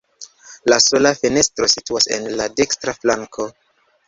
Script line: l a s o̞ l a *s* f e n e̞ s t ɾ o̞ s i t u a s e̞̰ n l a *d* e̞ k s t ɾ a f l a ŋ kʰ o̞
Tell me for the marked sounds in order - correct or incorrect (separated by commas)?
incorrect, correct